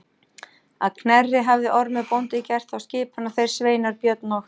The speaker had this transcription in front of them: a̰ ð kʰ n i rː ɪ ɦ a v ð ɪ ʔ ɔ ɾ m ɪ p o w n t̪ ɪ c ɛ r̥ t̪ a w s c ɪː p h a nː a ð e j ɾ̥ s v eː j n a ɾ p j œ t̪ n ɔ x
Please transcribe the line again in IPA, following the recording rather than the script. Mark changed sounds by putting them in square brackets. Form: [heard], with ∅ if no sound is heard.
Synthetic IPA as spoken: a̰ ð kʰ n [ɛ] rː ɪ ɦ a v ð ɪ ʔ ɔ ɾ m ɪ p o w n t̪ ɪ c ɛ r̥ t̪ a w s c ɪː p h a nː a [θ] e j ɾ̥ s v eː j n a ɾ p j œ t̪ n ɔ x